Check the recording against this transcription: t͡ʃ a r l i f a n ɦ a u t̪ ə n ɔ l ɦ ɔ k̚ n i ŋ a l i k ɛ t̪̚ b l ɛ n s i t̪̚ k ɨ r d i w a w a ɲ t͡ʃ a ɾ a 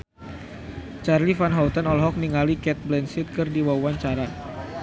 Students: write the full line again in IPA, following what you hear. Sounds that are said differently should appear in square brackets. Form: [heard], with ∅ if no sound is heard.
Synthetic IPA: t͡ʃ a r l i f a n ɦ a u t̪ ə n ɔ l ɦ ɔ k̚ n i ŋ a l i k ɛ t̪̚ b l ɛ n s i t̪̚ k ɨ r d i w a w a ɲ t͡ʃ a ɾ a